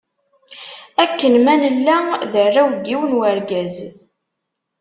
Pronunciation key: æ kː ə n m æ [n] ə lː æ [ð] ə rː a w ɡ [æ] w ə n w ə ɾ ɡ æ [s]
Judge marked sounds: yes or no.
yes, yes, no, no

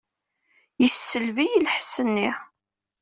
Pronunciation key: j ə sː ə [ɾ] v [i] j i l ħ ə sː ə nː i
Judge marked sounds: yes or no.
no, yes

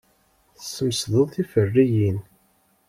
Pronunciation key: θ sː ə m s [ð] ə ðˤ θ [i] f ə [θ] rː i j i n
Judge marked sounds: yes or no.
yes, yes, no

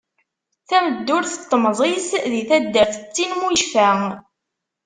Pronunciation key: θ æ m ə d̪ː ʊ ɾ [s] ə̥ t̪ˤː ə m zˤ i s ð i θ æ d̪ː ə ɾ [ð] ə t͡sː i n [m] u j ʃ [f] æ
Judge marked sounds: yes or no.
no, no, yes, yes

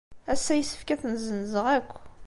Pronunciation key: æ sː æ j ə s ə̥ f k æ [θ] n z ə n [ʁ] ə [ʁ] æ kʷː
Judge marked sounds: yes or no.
yes, no, yes

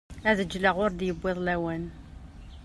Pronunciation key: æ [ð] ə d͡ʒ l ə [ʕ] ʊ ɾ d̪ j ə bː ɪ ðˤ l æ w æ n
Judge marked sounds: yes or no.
yes, no

